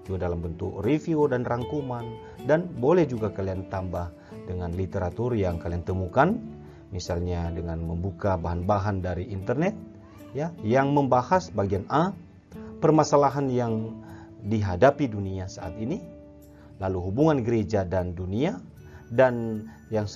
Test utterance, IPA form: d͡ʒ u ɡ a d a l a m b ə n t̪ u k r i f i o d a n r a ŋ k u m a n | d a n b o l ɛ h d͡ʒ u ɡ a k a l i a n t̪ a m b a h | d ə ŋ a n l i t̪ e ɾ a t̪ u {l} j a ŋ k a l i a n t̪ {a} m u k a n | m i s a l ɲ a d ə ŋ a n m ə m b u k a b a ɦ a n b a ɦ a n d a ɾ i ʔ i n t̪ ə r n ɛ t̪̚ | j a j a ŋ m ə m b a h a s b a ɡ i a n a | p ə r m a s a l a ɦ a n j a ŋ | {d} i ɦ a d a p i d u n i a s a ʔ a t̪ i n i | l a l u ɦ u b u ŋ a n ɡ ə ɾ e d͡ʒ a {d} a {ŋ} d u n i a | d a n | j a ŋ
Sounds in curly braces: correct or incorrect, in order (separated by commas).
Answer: incorrect, incorrect, correct, correct, incorrect